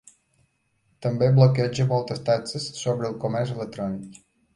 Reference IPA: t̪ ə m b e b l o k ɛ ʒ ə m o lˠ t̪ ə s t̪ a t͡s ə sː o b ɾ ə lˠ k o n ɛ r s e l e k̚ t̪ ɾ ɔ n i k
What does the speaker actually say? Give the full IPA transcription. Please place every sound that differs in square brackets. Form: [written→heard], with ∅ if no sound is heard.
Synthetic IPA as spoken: t̪ ə m b e b l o k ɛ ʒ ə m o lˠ t̪ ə s t̪ a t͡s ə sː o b ɾ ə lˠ k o [n→m] ɛ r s e l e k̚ t̪ ɾ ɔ n i k

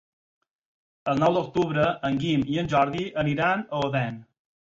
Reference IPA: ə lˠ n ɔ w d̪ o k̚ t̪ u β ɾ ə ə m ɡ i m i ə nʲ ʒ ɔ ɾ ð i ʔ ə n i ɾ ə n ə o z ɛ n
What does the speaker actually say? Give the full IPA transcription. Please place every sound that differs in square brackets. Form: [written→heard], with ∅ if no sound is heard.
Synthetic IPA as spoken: ə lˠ n ɔ w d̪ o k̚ t̪ u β ɾ ə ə [m→ŋ] ɡ i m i ə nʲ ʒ ɔ ɾ ð i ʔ ə n i ɾ [ə→a] n ə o [z→ð] ɛ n

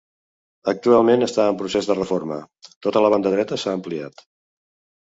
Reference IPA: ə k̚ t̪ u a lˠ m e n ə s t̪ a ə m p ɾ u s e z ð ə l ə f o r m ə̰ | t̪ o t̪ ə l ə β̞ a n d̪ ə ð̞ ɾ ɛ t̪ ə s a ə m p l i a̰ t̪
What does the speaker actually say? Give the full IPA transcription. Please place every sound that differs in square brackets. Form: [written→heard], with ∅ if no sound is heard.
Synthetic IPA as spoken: ə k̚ t̪ u a lˠ m e n ə s t̪ a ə m p ɾ u s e z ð ə [l→r] ə f o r m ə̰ | t̪ o t̪ ə l ə β̞ a n d̪ ə ð̞ ɾ ɛ t̪ ə s a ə m p l i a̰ t̪

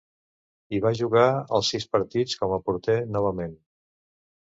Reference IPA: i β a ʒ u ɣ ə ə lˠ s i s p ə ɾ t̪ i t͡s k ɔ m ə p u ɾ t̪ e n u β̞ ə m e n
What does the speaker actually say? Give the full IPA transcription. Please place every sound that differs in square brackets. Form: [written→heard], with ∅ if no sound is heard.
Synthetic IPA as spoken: i β a ʒ u ɣ [ə→a] ə lˠ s i s p ə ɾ t̪ i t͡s k ɔ m ə p u ɾ t̪ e n [u→ɔ] β̞ ə m e n

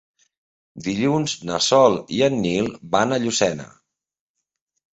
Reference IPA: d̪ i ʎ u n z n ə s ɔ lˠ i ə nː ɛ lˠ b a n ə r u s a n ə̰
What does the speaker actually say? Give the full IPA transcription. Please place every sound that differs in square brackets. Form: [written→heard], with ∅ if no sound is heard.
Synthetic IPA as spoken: d̪ i ʎ u n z n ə s ɔ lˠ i ə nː [ɛ→i] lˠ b a n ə [r→ʎ] u s [a→ɛ] n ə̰

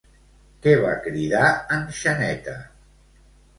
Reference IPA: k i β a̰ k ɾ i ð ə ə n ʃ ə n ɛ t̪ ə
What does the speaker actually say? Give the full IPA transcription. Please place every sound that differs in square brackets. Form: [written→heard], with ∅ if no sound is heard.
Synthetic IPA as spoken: k [i→ɛ] β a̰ k ɾ i ð [ə→a] ə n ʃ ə n ɛ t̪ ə

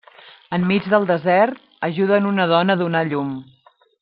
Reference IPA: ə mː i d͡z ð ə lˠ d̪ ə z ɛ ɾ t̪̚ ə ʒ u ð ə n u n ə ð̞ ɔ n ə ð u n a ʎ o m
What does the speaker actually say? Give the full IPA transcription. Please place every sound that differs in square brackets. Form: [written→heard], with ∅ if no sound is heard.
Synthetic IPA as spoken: ə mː i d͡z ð ə lˠ d̪ ə z ɛ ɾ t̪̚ ə ʒ u ð ə n u n ə ð̞ ɔ n ə ð u n a ʎ [o→u] m

